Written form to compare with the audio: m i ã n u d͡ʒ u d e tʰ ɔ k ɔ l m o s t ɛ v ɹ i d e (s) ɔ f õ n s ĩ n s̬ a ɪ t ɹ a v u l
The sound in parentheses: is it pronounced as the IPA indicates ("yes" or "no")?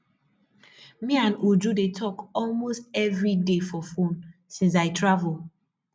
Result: no